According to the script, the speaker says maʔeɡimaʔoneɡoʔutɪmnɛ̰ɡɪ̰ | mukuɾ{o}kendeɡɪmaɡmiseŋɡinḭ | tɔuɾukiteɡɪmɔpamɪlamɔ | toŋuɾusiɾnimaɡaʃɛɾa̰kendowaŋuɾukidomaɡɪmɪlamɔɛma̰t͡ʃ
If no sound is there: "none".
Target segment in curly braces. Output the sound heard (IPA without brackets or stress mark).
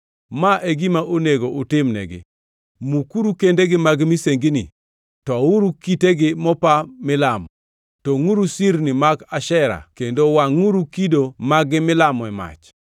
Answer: u